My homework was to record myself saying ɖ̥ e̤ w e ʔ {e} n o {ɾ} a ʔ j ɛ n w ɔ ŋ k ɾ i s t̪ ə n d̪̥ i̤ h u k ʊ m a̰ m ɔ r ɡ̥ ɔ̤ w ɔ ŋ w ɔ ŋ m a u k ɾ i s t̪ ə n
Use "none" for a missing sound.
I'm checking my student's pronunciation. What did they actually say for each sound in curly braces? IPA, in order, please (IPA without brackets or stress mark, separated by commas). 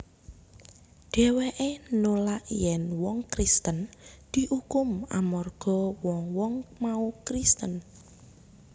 e, l